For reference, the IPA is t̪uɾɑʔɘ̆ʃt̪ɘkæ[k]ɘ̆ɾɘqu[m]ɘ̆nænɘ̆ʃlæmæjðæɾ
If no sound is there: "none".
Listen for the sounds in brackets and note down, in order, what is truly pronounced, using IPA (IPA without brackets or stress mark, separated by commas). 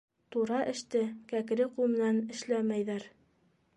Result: k, m